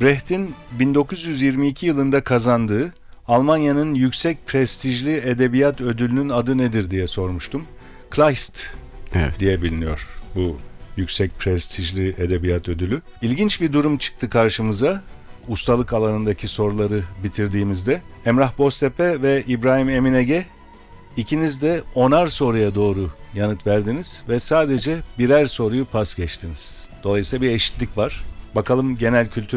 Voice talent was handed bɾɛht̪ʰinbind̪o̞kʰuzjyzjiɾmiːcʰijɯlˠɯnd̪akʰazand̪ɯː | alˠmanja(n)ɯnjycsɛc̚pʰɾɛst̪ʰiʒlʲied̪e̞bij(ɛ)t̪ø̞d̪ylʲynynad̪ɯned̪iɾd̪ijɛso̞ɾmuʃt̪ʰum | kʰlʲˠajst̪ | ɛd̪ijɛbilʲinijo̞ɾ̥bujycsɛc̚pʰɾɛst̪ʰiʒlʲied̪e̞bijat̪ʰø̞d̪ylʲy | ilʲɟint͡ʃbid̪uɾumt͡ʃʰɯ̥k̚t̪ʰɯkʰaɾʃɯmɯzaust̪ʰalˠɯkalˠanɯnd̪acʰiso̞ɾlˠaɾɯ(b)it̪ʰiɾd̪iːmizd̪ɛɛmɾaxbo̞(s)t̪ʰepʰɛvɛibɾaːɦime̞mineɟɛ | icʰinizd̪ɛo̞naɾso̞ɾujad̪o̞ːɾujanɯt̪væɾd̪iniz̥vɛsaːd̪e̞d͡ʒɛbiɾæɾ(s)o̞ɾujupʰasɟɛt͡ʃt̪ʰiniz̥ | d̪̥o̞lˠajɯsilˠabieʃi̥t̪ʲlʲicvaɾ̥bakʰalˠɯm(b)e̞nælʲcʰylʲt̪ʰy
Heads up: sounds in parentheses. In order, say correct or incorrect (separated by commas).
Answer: correct, incorrect, correct, correct, correct, incorrect